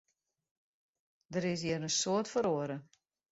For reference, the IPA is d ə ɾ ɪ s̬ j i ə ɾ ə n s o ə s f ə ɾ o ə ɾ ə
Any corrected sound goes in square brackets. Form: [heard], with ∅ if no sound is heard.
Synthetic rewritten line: d ə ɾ ɪ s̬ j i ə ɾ ə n s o ə [t] f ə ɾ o ə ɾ ə